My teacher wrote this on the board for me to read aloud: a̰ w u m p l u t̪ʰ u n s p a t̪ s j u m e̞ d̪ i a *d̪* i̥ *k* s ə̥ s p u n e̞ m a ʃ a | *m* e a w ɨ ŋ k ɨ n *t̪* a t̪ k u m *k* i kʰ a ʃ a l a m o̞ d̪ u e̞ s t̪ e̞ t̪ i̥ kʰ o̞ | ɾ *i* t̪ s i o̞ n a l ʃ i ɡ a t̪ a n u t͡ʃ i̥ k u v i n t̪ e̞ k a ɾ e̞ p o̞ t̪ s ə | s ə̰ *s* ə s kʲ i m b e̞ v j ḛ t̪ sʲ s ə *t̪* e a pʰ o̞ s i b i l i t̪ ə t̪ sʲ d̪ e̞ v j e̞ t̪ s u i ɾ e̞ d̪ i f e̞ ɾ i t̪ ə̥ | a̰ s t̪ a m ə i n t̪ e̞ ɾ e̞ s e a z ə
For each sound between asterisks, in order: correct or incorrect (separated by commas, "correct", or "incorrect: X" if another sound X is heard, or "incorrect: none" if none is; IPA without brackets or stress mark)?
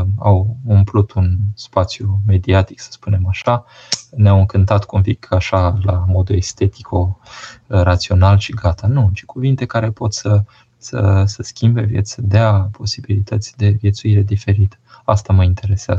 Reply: incorrect: t̪, correct, incorrect: n, correct, incorrect: p, incorrect: a, correct, incorrect: d̪